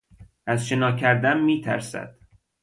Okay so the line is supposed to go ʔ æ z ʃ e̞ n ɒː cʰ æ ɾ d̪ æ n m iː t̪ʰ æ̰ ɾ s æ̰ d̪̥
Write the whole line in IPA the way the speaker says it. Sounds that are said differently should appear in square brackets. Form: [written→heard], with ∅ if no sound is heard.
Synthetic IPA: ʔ æ z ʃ e̞ n ɒː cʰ æ ɾ d̪ æ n m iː t̪ʰ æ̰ ɾ s æ̰ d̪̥